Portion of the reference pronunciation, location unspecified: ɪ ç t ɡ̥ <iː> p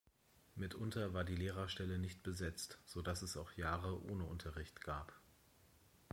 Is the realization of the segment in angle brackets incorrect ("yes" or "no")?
yes